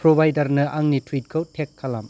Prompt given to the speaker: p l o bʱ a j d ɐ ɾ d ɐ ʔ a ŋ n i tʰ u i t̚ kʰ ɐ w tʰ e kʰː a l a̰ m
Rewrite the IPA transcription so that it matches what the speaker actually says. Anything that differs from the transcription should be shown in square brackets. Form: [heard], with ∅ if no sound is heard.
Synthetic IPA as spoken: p [ɾ] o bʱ a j d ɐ ɾ [n] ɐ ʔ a ŋ n i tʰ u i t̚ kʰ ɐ w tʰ e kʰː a l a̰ m